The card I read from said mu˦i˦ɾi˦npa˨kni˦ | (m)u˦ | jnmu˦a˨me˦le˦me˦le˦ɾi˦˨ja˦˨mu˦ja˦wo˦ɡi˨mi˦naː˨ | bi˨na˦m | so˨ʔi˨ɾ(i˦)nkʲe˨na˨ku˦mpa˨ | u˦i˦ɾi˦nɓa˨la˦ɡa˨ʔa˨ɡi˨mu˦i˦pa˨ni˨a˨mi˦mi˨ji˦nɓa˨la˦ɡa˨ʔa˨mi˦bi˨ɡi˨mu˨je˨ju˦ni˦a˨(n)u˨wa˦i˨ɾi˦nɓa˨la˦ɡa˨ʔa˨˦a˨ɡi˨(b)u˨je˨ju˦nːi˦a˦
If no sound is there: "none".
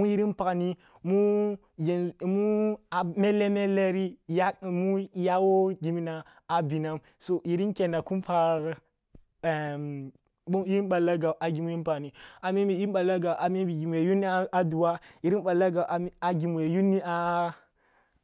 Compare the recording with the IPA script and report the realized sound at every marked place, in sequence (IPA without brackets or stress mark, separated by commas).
m, i˦, d, m